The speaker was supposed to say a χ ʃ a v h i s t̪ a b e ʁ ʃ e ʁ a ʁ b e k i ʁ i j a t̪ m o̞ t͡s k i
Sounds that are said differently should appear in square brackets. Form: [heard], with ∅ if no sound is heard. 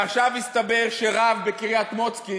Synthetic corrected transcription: a χ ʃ a v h i s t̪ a b e ʁ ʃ e ʁ a [v] b e k i ʁ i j a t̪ m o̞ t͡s k i